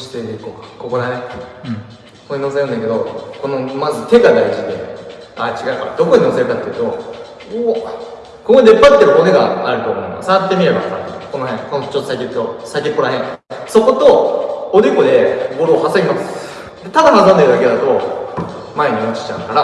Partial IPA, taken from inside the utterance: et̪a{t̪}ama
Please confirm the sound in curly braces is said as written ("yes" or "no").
no